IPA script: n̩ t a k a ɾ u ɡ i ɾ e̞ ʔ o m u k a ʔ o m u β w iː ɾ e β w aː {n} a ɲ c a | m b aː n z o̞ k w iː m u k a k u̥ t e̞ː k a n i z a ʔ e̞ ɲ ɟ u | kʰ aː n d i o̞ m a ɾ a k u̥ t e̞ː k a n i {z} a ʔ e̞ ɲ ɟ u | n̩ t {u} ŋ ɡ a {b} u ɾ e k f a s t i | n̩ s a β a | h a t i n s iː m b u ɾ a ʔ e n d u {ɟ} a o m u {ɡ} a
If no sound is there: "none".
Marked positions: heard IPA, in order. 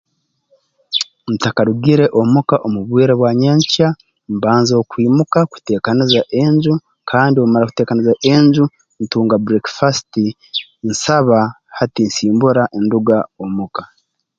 ɲ, z, uː, b, ɡ, k

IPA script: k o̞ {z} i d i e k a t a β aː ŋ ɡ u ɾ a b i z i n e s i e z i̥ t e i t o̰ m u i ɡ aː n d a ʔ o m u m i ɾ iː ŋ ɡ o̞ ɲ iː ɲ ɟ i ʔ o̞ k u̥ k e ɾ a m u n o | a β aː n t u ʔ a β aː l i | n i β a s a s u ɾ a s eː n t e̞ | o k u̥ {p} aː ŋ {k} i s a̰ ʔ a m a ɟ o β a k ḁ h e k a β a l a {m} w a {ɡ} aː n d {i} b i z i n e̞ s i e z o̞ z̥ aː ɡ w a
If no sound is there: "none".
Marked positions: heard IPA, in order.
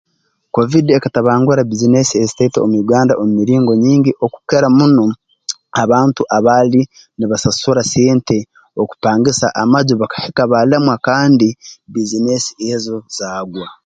v, p, ɡ, m, k, i

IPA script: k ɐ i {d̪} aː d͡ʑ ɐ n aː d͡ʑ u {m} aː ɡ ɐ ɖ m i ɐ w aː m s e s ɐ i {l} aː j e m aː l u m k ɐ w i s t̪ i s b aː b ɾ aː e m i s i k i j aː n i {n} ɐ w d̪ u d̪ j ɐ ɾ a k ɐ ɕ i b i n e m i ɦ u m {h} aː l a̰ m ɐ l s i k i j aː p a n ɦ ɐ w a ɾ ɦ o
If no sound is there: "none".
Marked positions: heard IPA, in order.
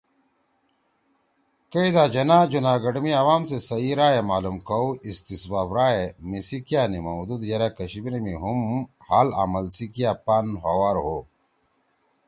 d̪, n, ɾ, m, h

